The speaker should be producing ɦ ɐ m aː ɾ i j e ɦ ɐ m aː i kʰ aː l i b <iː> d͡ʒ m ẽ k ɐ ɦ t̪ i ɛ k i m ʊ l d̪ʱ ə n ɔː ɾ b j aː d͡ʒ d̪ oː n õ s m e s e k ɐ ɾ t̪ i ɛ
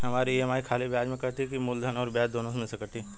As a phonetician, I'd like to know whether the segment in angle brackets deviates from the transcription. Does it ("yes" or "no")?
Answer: yes